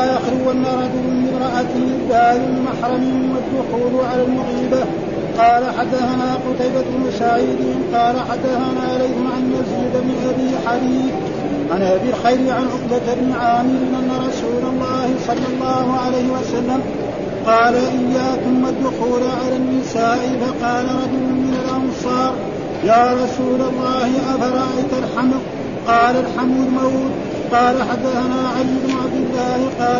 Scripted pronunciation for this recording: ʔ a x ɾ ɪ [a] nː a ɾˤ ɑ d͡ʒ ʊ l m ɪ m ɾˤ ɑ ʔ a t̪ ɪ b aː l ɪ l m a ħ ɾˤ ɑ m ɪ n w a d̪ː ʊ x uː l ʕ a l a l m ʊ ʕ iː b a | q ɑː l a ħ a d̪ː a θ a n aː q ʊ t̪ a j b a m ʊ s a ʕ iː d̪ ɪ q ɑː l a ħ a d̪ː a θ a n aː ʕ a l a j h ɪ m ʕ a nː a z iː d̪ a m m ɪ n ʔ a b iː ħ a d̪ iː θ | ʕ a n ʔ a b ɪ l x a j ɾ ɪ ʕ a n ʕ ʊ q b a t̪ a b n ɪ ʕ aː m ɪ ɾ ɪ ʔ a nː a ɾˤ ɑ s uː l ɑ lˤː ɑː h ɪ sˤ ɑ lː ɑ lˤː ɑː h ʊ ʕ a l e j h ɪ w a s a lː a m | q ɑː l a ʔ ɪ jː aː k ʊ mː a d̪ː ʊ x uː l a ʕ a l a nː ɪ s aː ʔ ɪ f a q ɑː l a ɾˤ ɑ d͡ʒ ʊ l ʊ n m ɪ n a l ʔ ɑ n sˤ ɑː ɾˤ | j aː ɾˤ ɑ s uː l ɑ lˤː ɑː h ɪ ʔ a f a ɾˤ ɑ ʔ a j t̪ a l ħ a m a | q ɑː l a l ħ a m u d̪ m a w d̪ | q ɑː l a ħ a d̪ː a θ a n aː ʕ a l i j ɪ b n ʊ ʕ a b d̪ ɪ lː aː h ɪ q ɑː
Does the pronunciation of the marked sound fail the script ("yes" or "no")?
no